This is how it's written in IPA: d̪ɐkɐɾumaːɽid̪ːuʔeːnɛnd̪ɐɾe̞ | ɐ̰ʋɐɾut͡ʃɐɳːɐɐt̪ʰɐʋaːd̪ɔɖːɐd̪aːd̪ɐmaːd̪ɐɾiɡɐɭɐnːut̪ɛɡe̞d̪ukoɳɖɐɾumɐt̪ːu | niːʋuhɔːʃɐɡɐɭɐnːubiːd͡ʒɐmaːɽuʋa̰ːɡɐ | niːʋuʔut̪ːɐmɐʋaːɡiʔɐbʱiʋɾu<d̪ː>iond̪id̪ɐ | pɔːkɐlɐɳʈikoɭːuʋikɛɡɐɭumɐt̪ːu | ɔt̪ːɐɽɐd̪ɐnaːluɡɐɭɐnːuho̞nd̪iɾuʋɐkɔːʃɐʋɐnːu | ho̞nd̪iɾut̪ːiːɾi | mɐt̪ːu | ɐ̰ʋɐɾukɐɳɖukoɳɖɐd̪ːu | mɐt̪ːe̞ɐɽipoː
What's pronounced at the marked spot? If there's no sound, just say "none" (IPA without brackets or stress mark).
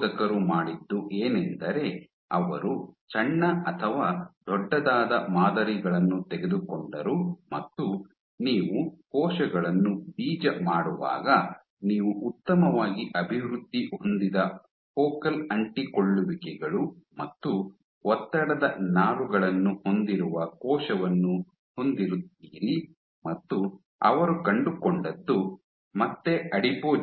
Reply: d̪ː